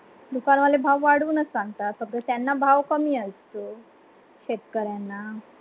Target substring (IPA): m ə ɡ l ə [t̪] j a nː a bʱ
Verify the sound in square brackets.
correct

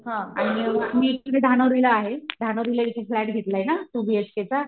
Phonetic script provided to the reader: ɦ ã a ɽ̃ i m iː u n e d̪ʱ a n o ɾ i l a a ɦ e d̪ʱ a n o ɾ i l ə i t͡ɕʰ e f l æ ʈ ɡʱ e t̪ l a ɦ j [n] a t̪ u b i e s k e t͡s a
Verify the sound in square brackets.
correct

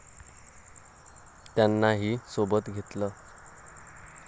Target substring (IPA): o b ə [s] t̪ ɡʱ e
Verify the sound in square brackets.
incorrect: none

